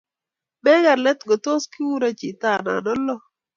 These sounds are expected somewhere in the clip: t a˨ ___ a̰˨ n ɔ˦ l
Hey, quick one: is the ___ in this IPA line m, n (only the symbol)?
n